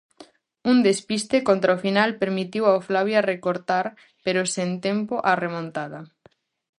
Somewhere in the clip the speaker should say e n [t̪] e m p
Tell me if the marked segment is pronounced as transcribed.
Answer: yes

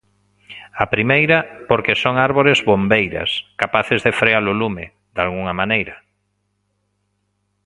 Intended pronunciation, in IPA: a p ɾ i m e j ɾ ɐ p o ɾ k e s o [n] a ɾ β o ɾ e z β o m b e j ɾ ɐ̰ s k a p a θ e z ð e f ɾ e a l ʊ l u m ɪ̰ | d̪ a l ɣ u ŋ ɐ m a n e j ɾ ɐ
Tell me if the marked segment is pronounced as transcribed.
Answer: no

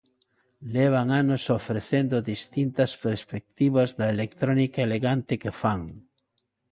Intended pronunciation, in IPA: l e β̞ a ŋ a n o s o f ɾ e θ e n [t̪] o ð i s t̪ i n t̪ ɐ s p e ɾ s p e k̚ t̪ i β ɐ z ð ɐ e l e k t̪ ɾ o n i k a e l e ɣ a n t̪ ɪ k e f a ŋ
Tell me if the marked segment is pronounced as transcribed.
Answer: no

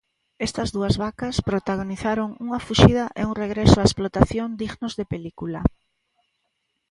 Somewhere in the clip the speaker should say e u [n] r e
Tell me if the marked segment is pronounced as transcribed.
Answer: no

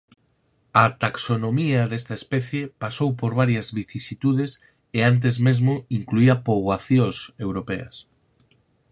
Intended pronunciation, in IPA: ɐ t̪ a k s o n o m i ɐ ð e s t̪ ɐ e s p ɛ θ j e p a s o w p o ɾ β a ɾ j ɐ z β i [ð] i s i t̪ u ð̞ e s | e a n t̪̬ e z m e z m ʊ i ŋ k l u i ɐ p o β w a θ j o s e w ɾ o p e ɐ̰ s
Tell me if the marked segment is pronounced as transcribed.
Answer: no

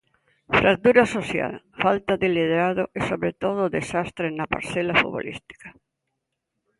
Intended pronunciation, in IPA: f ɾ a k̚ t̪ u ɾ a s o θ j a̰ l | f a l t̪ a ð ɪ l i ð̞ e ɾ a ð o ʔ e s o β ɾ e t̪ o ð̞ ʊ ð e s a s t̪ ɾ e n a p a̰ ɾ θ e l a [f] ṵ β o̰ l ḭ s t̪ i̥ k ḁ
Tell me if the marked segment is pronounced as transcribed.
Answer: yes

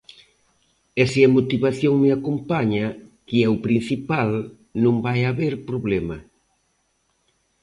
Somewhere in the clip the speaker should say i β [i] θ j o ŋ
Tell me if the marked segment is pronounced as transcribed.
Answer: no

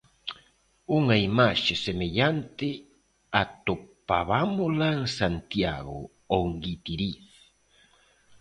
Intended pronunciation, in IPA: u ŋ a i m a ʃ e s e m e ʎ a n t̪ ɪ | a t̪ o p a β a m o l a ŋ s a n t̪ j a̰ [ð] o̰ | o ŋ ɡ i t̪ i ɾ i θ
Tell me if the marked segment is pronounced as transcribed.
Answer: no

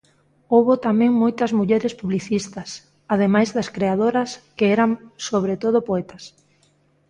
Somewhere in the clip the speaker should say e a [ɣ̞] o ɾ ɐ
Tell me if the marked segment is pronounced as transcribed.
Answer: no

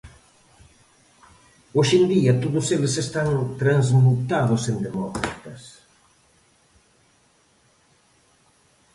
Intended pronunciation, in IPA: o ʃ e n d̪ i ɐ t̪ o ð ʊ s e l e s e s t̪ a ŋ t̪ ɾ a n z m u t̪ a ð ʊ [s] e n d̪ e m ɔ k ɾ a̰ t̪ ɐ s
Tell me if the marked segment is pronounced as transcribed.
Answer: yes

